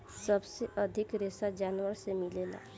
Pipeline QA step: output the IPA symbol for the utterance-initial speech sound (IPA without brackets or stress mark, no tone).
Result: s